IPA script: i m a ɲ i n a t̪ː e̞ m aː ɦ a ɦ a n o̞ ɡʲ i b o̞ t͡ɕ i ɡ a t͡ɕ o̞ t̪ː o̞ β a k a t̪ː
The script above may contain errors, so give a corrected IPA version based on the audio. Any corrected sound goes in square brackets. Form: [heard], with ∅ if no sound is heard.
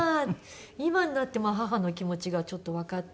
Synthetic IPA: i m a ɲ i n a t̪ː e̞ m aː ɦ a ɦ a n o̞ [kʲ] i [m] o̞ t͡ɕ i ɡ a t͡ɕ o̞ t̪ː o̞ β a k a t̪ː